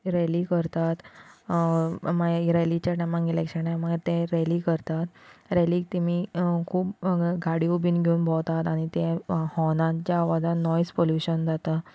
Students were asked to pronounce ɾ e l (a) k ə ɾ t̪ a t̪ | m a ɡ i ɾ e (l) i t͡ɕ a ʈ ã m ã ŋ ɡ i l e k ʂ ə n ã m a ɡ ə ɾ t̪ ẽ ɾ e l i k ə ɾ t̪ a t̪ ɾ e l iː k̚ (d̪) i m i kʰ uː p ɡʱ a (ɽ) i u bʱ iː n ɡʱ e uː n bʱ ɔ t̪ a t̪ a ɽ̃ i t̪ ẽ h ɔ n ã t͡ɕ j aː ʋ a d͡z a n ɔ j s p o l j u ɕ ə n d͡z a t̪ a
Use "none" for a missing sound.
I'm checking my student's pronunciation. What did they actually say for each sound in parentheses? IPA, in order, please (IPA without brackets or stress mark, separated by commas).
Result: i, l, t̪, ɽ